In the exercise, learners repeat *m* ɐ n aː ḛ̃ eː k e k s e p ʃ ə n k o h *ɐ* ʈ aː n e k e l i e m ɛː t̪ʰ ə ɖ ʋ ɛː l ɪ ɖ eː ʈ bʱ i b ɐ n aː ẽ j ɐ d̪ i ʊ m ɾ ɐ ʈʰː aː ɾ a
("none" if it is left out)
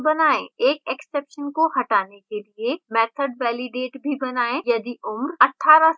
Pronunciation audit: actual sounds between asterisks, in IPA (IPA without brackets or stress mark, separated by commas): b, ɐ